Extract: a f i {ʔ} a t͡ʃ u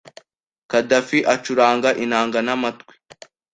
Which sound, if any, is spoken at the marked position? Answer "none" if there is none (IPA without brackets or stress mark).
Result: ʔ